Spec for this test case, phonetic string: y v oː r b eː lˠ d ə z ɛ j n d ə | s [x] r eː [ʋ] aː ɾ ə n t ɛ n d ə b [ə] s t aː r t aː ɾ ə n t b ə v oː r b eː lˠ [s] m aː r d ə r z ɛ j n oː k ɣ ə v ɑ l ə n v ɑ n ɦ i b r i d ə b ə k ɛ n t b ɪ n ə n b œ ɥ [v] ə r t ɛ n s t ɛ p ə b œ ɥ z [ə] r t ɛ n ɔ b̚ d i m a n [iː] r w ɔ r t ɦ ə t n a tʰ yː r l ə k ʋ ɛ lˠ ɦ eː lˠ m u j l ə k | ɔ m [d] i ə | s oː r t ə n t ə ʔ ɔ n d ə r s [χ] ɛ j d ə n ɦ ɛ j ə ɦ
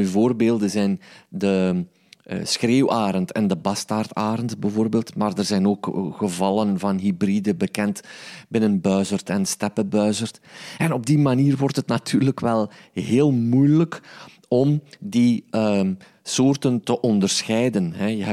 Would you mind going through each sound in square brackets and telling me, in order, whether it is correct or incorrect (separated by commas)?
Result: correct, incorrect, incorrect, incorrect, incorrect, correct, correct, correct, incorrect